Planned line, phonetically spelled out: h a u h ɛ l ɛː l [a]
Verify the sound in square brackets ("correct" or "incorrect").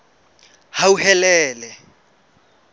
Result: incorrect